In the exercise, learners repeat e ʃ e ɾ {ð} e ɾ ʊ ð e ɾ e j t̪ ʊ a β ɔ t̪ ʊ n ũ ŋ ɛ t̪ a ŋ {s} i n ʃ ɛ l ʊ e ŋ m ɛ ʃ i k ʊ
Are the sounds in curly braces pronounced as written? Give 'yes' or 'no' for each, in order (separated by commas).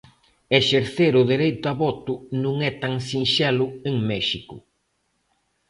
no, yes